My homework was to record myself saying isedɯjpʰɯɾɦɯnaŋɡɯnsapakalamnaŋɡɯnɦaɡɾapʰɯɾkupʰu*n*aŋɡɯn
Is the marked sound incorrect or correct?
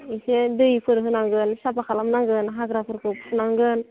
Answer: correct